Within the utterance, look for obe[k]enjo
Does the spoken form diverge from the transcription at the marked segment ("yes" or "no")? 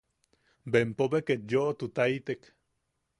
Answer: no